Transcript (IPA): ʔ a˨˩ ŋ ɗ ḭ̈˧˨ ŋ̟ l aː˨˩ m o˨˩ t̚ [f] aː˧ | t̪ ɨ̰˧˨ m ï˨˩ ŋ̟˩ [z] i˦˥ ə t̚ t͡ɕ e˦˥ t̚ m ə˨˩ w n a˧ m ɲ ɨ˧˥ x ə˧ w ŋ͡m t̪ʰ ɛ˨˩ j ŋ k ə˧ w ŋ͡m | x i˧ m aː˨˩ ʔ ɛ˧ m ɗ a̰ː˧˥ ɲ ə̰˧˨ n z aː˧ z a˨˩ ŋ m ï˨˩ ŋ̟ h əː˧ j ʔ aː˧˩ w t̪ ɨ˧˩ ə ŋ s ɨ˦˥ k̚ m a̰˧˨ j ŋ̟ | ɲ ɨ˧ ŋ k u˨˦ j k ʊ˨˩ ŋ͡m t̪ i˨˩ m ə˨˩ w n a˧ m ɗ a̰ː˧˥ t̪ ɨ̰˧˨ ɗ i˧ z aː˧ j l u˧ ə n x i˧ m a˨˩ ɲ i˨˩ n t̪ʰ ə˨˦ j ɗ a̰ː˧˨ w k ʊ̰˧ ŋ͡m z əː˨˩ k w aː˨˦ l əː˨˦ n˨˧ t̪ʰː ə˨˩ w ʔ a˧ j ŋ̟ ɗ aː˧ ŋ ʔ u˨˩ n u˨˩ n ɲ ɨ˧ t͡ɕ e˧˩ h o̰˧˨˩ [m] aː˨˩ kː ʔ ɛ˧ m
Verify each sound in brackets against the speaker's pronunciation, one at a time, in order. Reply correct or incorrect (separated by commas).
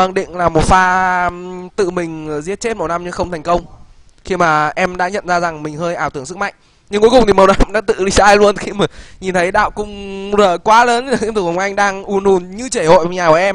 correct, correct, incorrect